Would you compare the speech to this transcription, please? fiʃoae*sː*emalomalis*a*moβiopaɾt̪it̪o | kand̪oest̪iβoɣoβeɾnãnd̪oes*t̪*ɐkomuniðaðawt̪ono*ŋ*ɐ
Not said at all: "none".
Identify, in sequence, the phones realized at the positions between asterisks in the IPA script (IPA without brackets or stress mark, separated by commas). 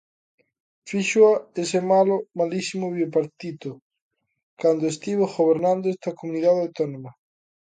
s, i, t̪, m